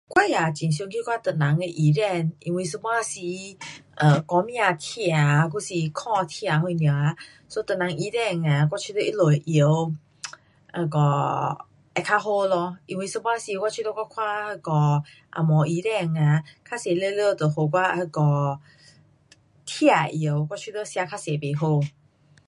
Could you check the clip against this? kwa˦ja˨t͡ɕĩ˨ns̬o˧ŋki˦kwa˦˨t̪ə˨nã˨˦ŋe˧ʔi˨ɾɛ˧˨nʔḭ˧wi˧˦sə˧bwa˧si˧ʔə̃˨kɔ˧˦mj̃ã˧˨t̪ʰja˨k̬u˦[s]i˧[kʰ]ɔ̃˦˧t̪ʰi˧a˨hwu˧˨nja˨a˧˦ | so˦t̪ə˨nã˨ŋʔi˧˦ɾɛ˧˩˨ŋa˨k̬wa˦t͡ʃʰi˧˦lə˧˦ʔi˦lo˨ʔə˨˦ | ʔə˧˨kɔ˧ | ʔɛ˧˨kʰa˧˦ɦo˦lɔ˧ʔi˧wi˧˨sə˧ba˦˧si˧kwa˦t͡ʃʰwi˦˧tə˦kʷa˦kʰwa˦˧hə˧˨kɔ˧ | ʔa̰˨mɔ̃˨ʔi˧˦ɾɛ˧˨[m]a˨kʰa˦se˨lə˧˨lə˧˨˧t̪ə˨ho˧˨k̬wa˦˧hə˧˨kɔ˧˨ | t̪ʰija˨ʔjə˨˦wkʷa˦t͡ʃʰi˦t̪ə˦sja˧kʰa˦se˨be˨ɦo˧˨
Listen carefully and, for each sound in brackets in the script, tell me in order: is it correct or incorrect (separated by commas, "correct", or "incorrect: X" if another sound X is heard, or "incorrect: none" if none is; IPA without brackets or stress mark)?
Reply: correct, correct, incorrect: ŋ